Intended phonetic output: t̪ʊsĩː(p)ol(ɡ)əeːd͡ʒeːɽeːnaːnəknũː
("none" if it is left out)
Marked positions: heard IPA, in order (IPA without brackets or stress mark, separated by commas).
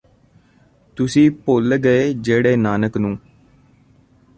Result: p, ɡ